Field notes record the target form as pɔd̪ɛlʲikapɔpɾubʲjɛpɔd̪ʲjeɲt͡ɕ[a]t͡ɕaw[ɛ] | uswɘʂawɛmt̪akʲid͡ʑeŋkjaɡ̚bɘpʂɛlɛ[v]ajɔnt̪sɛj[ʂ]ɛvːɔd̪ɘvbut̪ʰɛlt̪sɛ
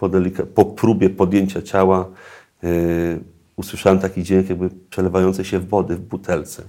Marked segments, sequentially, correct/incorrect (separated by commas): correct, incorrect, correct, incorrect